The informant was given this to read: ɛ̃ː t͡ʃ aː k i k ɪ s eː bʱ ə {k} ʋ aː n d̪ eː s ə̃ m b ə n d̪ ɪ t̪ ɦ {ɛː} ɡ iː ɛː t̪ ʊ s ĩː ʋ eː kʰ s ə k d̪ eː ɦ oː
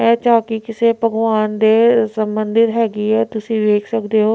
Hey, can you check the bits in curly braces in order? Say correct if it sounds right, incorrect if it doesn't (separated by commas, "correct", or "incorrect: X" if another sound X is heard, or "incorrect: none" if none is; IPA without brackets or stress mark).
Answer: incorrect: ɡ, correct